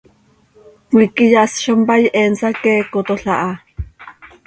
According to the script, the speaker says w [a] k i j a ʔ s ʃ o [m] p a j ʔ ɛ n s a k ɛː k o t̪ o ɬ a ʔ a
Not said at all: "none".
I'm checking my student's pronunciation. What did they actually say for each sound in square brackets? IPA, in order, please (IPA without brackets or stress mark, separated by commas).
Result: i, m